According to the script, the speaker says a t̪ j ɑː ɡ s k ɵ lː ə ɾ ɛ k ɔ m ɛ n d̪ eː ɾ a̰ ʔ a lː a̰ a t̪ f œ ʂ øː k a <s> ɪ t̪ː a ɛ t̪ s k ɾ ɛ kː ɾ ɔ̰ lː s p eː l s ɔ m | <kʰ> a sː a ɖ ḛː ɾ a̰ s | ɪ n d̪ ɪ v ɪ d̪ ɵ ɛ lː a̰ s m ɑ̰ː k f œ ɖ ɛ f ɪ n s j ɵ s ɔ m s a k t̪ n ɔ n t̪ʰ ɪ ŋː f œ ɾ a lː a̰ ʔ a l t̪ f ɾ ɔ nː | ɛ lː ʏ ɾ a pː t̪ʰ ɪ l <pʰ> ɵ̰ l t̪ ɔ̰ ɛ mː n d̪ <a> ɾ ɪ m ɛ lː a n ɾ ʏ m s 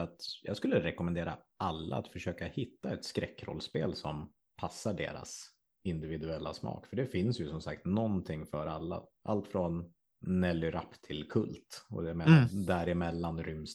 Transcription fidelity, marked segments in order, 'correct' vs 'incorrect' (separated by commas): incorrect, incorrect, incorrect, incorrect